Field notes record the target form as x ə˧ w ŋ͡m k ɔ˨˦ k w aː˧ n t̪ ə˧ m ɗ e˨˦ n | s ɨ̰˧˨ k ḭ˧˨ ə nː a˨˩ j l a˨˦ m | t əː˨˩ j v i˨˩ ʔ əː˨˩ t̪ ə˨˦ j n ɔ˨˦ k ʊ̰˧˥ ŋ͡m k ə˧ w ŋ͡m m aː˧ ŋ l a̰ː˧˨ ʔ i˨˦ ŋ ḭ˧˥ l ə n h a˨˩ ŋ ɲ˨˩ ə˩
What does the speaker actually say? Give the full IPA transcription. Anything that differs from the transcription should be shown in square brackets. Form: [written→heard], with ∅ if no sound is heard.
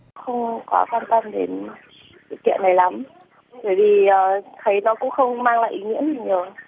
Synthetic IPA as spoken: x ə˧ w ŋ͡m k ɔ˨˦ k w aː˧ n t̪ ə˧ m ɗ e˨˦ n | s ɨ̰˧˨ k ḭ˧˨ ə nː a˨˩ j l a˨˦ m | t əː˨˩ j v i˨˩ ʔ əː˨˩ [t̪→t̪ʰ] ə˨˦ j n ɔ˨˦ k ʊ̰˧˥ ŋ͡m [k→x] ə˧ w ŋ͡m m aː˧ ŋ l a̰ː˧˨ ʔ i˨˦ ŋ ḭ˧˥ [l→∅] ə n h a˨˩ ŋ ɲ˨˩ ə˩